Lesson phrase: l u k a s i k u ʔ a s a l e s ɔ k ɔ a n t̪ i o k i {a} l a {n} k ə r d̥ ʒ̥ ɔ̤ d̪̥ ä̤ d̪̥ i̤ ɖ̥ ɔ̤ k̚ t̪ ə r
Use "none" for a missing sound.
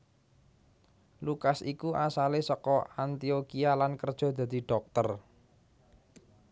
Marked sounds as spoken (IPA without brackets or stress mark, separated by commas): a, n